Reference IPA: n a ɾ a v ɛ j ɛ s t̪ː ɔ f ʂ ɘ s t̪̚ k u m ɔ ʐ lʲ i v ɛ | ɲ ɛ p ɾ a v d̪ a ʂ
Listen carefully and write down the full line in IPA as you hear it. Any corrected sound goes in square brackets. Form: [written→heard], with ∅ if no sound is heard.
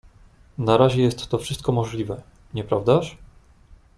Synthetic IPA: n a ɾ a [v→ʑ] ɛ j ɛ s t̪ː ɔ f ʂ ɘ s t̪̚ k [u→ɔ] m ɔ ʐ lʲ i v ɛ | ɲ ɛ p ɾ a v d̪ a ʂ